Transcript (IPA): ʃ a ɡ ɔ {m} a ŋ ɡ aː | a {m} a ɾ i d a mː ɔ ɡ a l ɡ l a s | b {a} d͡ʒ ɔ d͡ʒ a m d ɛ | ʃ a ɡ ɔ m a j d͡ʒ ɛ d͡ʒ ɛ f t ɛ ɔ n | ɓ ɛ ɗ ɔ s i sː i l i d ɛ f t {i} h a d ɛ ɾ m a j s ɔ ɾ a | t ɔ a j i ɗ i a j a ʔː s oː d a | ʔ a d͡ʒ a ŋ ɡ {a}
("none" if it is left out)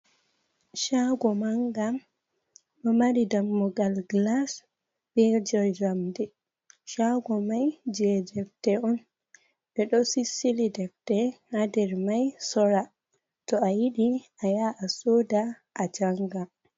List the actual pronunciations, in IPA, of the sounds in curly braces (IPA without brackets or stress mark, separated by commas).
m, m, ɛ, ɛ, a